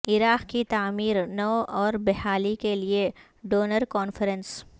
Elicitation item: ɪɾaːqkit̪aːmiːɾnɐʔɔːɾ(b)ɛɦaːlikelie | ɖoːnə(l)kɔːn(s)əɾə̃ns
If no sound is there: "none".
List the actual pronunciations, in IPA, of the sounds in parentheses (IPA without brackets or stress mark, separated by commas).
b, ɾ, f